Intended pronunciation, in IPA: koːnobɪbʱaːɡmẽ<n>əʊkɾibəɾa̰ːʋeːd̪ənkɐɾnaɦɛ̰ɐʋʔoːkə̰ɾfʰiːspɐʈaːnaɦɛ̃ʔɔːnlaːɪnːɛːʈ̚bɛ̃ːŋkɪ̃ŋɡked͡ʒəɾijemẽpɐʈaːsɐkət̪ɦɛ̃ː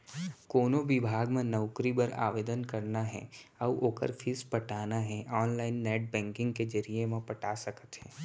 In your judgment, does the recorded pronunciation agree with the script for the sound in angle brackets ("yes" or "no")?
yes